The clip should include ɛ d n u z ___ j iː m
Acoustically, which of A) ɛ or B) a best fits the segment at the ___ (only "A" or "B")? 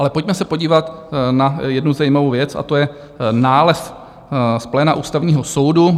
B